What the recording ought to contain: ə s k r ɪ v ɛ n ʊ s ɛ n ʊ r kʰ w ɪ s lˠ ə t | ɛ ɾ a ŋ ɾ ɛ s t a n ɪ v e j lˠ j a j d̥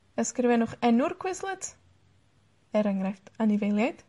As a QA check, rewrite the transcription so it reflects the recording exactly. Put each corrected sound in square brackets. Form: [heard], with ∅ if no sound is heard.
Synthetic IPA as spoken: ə s k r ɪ v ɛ n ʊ [χ] ɛ n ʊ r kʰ w ɪ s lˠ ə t | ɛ ɾ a ŋ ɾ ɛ [f] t a n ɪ v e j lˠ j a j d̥